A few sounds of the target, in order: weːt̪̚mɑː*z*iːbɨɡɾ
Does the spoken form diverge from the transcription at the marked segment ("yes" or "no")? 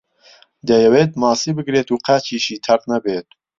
yes